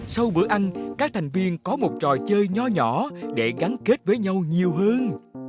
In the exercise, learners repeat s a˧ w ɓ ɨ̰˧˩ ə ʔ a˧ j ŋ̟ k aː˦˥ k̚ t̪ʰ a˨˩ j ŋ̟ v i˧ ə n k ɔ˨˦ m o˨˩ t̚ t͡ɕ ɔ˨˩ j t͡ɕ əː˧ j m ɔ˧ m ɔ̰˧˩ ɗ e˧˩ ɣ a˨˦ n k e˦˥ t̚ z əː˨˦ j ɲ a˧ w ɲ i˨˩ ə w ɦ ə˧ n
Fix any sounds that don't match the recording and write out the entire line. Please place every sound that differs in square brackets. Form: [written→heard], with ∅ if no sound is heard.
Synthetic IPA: s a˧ w ɓ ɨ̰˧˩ ə ʔ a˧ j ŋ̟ k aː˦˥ k̚ t̪ʰ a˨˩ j ŋ̟ v i˧ ə n k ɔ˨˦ m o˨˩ t̚ t͡ɕ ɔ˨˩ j t͡ɕ əː˧ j [m→ɲ] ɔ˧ [m→ɲ] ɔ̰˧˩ ɗ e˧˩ ɣ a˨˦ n k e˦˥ t̚ [z→v] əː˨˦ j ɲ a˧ w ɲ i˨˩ ə w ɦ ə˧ n